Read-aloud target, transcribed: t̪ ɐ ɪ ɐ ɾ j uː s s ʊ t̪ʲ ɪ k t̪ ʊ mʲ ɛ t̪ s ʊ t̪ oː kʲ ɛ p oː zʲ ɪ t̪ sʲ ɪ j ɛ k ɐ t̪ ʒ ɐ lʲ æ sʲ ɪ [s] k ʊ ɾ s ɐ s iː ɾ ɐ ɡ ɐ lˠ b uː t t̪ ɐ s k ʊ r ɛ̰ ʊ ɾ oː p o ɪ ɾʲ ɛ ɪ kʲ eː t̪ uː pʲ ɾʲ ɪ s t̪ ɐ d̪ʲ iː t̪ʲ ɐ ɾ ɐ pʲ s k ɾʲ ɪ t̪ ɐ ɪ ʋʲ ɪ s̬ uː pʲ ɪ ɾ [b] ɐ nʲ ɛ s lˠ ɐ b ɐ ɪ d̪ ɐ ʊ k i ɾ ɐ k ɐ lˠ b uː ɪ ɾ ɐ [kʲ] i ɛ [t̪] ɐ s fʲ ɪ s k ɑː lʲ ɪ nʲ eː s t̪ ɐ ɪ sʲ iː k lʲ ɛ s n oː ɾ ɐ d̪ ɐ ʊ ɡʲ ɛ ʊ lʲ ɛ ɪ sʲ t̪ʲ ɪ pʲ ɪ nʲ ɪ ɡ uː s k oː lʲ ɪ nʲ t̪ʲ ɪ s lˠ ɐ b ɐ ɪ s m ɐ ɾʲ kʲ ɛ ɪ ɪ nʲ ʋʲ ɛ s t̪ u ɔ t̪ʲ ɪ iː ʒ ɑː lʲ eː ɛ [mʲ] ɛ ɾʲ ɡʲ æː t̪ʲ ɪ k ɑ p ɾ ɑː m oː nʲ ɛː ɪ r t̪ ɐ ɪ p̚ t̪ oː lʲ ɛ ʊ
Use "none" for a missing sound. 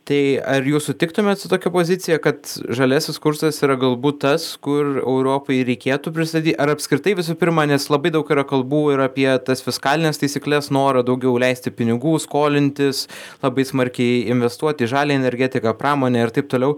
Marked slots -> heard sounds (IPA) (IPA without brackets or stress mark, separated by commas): s, m, pʲ, t̪, nʲ